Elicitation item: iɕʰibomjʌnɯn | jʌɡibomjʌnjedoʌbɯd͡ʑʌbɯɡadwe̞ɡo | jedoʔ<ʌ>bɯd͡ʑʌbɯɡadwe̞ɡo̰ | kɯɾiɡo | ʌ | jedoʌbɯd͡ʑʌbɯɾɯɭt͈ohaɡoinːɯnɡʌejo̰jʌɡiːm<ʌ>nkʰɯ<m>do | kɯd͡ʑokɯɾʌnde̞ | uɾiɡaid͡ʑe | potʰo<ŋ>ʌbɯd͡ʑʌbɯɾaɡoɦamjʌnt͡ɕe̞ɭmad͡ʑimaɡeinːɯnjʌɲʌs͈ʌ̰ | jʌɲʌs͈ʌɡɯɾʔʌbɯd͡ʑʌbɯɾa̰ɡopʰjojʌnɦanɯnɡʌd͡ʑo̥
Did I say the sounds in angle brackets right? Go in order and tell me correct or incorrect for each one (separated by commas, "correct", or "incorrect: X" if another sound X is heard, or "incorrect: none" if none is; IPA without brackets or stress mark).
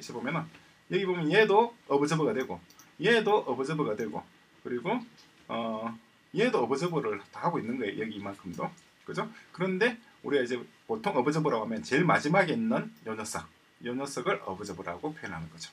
correct, incorrect: a, correct, correct